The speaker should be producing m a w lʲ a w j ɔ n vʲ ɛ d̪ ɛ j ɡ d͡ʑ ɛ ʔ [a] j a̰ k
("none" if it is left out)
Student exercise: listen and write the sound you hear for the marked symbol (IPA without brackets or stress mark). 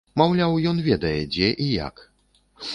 i